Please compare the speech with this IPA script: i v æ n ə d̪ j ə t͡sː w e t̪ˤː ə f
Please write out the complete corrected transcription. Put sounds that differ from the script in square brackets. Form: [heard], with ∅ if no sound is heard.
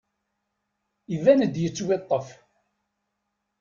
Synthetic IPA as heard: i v æ n ə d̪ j ə t͡sː w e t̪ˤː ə f